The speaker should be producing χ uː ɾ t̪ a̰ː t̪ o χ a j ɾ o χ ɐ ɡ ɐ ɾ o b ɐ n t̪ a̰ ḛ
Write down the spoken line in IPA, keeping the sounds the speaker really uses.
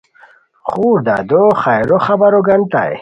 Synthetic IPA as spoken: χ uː ɾ d̪ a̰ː d̪ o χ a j ɾ o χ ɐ b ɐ ɾ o ɡ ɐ n t̪ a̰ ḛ